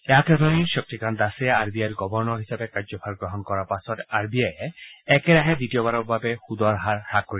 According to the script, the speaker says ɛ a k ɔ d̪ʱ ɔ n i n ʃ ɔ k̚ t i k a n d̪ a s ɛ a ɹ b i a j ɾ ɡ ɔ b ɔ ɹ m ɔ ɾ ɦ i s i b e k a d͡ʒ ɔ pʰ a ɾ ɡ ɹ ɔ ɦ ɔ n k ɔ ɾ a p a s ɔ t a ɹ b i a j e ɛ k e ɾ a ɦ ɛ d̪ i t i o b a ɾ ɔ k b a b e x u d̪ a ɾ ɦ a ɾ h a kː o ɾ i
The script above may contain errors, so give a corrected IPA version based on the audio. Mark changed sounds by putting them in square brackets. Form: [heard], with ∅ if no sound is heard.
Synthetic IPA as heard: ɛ a k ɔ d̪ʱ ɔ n i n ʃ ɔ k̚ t i k a n d̪ a s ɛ a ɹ b i a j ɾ ɡ ɔ b ɔ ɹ [n] ɔ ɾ ɦ i s [a] b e k a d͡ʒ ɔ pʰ a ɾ ɡ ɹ ɔ ɦ ɔ n k ɔ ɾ a p a s ɔ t a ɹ b i a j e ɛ k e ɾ a ɦ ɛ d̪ i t i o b a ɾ ɔ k b a b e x u d̪ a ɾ ɦ a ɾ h a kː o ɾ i